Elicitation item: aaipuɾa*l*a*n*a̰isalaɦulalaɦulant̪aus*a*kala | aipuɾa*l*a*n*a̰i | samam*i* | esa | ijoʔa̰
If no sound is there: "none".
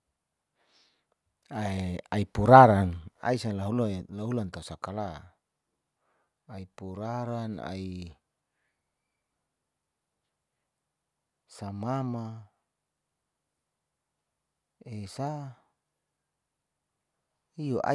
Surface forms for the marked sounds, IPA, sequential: ɾ, n, a, ɾ, n, a

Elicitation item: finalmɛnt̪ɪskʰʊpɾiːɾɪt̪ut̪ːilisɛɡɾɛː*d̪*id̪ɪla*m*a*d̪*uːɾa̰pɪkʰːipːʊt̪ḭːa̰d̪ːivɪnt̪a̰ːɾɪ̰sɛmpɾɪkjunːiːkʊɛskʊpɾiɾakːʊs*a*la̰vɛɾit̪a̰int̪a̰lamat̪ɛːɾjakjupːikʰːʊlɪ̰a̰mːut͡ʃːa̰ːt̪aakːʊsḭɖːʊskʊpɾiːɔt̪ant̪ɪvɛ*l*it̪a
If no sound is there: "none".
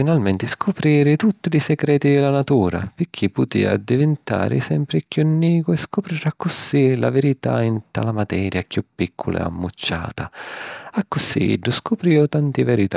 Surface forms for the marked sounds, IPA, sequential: t̪, n, t̪, i, ɾ

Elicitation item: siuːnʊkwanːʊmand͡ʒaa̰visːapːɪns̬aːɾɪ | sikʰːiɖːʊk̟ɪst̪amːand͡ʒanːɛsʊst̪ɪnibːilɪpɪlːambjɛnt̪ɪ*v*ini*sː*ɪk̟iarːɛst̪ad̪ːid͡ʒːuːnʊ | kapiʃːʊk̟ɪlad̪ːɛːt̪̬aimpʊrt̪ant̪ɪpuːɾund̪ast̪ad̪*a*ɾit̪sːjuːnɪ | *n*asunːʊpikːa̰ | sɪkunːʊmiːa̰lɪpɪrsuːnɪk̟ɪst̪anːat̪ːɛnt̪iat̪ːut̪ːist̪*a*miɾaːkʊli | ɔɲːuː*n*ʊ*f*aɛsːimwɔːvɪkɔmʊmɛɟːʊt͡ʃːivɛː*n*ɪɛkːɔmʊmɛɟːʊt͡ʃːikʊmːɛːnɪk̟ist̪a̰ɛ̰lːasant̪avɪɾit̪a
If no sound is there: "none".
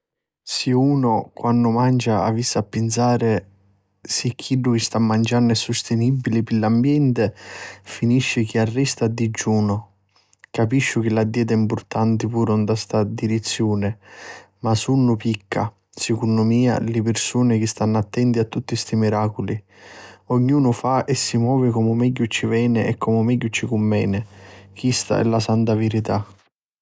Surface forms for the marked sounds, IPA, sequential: f, ʃː, i, m, i, n, f, n

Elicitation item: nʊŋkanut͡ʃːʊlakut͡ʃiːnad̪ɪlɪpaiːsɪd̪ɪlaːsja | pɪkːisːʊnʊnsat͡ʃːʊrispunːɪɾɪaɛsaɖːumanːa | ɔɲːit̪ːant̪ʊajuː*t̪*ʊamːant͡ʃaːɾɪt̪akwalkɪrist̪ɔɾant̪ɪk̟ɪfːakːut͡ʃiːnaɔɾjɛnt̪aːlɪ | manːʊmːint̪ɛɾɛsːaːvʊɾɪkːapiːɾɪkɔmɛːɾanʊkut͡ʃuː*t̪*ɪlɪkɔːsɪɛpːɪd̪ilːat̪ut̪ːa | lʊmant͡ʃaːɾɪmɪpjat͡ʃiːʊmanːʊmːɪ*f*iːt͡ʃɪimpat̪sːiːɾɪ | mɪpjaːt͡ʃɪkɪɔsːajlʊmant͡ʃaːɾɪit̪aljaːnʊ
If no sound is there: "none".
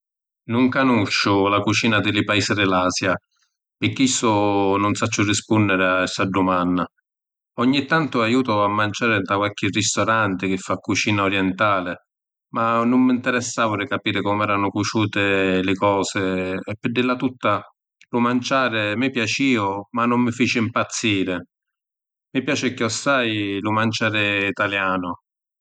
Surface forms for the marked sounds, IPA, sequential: t̪, t̪, f

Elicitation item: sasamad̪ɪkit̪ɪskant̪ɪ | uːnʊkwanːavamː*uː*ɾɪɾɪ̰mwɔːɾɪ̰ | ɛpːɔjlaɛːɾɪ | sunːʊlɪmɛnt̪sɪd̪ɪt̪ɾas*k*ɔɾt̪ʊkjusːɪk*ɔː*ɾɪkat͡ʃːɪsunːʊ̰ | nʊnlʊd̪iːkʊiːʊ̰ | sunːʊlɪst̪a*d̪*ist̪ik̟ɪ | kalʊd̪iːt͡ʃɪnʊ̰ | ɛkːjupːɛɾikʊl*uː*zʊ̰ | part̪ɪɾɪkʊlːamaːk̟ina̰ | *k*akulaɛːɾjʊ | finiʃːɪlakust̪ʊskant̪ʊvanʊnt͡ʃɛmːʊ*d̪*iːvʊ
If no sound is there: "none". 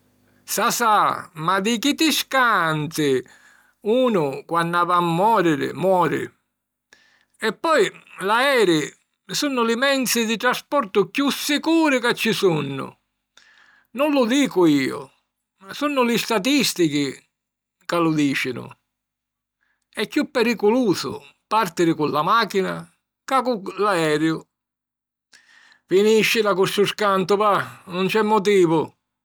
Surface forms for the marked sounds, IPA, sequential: ɔː, p, uː, t̪, uː, k, t̪

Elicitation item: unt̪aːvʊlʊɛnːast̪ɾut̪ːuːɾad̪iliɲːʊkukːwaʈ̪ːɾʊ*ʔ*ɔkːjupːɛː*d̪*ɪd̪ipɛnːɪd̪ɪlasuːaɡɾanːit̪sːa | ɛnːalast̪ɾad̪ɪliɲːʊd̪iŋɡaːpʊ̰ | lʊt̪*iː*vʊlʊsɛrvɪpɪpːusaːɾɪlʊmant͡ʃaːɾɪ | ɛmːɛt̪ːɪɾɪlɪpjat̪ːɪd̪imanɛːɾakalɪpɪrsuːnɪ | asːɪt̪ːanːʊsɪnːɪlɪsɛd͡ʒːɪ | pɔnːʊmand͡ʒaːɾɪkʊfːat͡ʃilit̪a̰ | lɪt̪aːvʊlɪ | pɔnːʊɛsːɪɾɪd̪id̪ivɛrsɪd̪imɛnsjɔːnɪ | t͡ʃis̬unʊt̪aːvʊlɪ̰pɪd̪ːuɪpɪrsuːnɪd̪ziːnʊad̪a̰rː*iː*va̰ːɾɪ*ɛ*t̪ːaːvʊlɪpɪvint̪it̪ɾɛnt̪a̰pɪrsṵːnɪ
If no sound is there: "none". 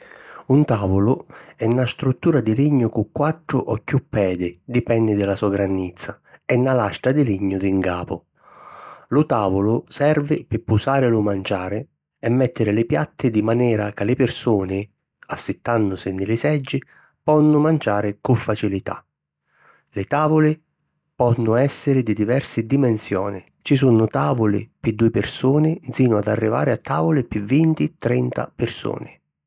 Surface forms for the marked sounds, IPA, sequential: ʔ, d̪, aː, i, a

